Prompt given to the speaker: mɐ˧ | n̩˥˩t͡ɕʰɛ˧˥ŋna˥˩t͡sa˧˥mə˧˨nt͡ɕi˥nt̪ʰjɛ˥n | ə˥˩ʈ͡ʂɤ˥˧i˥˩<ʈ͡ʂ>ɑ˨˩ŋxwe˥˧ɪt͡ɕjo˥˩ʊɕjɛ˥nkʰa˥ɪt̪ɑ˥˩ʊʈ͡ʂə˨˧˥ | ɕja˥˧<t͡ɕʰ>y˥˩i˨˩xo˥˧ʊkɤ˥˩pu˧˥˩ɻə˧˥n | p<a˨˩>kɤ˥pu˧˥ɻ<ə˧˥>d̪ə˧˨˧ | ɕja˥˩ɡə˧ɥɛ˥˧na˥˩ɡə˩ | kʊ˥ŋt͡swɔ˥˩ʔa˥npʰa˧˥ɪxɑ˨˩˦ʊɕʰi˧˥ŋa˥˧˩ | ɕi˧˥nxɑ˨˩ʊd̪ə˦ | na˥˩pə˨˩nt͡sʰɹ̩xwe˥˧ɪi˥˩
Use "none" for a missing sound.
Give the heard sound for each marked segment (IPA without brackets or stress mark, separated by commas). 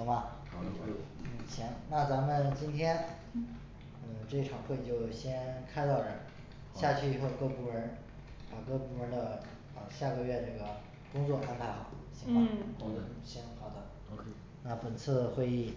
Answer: ʈ͡ʂʰ, t͡ɕʰ, a˨˩, ə˧˥